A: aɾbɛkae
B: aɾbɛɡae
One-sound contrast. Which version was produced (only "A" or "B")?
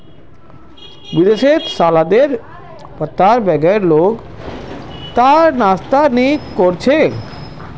B